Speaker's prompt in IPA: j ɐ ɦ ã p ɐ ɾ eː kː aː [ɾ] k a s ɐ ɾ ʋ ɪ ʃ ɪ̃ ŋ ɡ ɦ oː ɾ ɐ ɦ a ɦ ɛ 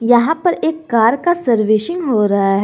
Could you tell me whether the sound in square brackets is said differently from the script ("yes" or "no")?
no